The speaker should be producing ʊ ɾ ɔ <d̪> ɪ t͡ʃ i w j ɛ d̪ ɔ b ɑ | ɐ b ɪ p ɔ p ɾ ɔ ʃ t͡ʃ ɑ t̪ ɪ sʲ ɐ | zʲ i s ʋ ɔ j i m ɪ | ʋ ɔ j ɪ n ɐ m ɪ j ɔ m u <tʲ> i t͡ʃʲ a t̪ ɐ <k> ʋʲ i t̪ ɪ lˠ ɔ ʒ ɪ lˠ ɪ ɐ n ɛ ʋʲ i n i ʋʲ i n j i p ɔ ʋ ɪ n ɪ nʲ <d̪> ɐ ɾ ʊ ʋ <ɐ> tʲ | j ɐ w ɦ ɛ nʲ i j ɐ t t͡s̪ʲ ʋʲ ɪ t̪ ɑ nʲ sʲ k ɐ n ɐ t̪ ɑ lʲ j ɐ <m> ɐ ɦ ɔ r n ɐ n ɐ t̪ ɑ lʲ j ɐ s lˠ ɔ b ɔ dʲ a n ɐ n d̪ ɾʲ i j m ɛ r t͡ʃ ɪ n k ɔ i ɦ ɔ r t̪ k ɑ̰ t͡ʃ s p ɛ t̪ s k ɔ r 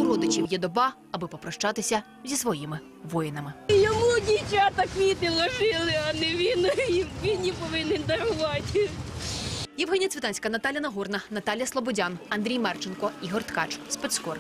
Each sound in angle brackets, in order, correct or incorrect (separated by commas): correct, incorrect, correct, correct, incorrect, incorrect